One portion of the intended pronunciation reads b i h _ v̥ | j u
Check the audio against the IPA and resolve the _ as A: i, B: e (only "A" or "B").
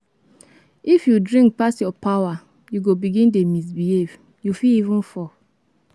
B